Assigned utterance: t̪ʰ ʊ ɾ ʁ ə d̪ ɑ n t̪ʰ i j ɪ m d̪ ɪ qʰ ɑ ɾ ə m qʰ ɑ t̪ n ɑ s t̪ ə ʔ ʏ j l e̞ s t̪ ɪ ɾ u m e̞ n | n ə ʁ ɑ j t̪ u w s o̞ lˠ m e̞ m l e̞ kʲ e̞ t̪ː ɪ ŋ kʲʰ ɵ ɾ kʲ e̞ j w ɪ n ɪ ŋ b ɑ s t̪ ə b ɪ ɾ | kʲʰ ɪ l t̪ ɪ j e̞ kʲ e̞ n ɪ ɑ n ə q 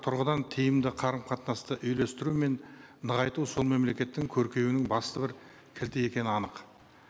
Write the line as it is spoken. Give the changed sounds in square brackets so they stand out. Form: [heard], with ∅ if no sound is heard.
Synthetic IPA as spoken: t̪ʰ ʊ ɾ ʁ ə d̪ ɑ n t̪ʰ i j ɪ m d̪ ɪ qʰ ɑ ɾ ə m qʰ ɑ t̪ n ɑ s t̪ ə ʔ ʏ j l e̞ s t̪ ɪ ɾ u m e̞ n | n ə ʁ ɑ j t̪ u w s o̞ lˠ m e̞ m l e̞ kʲ e̞ t̪ː ɪ ŋ kʲʰ ɵ ɾ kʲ e̞ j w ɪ n ɪ ŋ b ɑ s t̪ ə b ɪ ɾ | kʲʰ ɪ l t̪ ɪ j e̞ kʲ e̞ n ɪ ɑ n ə q

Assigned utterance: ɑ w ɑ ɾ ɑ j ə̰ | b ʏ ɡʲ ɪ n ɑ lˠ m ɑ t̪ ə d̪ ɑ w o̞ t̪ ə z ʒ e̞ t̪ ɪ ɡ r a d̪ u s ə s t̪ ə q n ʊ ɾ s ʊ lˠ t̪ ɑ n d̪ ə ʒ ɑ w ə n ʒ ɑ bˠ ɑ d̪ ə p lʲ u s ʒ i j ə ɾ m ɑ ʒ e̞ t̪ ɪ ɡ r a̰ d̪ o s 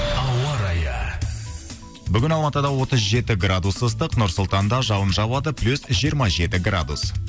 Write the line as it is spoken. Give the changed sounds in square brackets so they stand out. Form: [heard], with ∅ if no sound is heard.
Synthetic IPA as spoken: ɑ w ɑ ɾ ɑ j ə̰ | b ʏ ɡʲ ɪ n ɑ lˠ m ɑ t̪ ə d̪ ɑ w o̞ t̪ ə z ʒ e̞ t̪ ɪ ɡ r a d̪ u s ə s t̪ ə q n ʊ ɾ s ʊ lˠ t̪ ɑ n d̪ [ɑ] ʒ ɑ w ə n ʒ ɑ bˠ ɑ d̪ ə p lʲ u s ʒ i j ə ɾ m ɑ ʒ e̞ t̪ ɪ ɡ r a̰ d̪ [u] s

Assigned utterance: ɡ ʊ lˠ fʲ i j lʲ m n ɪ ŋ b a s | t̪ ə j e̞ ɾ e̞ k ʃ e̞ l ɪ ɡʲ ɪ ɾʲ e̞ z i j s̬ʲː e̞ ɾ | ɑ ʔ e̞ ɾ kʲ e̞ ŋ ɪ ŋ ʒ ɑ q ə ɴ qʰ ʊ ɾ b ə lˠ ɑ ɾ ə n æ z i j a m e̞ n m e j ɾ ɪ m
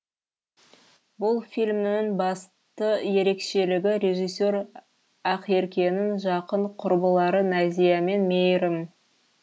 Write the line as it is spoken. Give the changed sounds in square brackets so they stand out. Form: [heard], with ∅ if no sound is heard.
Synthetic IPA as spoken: [b] ʊ lˠ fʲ i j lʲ m n ɪ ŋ b [ɑ] s | t̪ ə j e̞ ɾ e̞ k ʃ e̞ l ɪ ɡʲ ɪ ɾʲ e̞ [ʒ] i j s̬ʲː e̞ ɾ | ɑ [q] e̞ ɾ kʲ e̞ [n] ɪ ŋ ʒ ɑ q ə ɴ qʰ ʊ ɾ b ə lˠ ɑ ɾ ə n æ z i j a m e̞ n m e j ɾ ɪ m

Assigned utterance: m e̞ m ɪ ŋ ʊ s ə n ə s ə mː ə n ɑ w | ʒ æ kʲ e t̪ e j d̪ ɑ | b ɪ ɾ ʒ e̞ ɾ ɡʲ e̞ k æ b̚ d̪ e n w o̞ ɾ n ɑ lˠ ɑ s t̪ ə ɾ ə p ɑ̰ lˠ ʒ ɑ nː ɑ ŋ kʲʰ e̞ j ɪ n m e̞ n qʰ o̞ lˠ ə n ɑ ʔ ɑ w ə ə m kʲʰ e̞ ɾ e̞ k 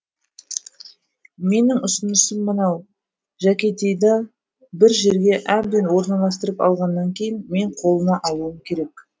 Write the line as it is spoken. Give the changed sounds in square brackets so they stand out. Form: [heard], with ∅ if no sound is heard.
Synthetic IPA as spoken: m e̞ [n] ɪ ŋ ʊ s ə n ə s ə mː ə n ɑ w | ʒ æ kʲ e t̪ e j d̪ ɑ | b ɪ ɾ ʒ e̞ ɾ ɡʲ e̞ [ʔ] æ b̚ d̪ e n w o̞ ɾ n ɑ lˠ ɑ s t̪ ə ɾ ə p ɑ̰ lˠ [ʁ] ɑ nː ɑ ŋ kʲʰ e̞ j ɪ n m e̞ [ɴ] qʰ o̞ lˠ ə n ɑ ʔ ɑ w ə ə m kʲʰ e̞ ɾ e̞ k

